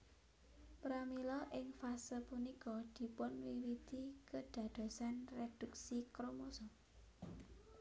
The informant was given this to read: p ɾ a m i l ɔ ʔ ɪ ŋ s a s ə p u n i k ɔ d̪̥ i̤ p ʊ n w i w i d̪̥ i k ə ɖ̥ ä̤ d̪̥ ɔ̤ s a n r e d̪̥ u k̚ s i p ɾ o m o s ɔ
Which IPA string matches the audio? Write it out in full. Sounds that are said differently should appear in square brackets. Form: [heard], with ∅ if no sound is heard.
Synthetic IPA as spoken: p ɾ a m i l ɔ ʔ ɪ ŋ [f] a s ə p u n i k ɔ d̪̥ i̤ p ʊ n w i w i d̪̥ i k ə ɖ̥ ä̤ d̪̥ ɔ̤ s a n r e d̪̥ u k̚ s i [k] ɾ o m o s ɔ